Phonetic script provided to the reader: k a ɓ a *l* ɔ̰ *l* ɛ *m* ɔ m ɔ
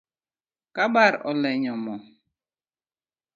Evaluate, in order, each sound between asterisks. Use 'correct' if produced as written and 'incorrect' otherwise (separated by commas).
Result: incorrect, correct, incorrect